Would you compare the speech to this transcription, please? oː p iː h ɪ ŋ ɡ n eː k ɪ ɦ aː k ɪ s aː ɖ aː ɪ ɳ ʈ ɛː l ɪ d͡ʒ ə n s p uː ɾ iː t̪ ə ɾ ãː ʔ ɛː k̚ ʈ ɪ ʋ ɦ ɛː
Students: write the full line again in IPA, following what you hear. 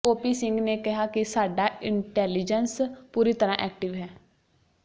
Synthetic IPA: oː p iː s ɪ ŋ ɡ n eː k ɪ ɦ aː k ɪ s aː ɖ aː ɪ ɳ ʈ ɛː l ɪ d͡ʒ ə n s p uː ɾ iː t̪ ə ɾ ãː ʔ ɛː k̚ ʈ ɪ ʋ ɦ ɛː